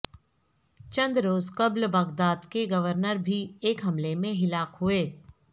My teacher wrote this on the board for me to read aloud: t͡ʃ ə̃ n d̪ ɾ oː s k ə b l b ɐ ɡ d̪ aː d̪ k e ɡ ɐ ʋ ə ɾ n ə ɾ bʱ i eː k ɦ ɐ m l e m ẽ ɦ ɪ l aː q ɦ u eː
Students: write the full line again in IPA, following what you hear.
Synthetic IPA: t͡ʃ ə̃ n d̪ ɾ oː z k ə b l b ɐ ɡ d̪ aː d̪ k e ɡ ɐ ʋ ə ɾ n ə ɾ bʱ i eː k ɦ ɐ m l e m ẽ ɦ ɪ l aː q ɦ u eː